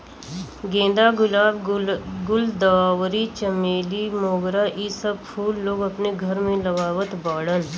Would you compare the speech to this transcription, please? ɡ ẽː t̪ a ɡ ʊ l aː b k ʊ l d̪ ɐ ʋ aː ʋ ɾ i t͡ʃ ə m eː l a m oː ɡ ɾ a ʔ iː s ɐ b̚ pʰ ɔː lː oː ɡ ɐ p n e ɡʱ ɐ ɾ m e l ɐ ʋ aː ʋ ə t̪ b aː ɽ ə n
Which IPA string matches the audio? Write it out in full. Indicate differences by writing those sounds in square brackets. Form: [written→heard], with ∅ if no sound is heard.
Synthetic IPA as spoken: ɡ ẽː [t̪→d̪] a ɡ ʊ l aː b [k→ɡ] ʊ l d̪ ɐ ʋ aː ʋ ɾ i t͡ʃ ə m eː l [a→i] m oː ɡ ɾ a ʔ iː s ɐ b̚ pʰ [ɔː→uː] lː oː ɡ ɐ p n e ɡʱ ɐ ɾ m [e→ẽ] l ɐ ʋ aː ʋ ə t̪ b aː ɽ ə n